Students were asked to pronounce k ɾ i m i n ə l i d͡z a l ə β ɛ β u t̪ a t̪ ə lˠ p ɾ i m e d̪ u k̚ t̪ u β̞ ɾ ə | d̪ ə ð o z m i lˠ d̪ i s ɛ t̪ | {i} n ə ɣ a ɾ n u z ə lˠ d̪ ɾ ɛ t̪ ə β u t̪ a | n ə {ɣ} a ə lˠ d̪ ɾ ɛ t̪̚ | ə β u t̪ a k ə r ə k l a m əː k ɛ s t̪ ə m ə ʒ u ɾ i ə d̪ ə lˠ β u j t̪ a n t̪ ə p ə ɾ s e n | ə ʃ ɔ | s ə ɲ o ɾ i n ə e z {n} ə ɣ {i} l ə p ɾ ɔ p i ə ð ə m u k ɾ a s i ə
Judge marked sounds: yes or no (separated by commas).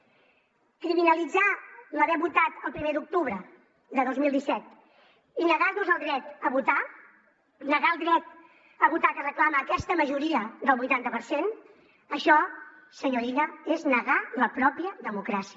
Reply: yes, yes, yes, no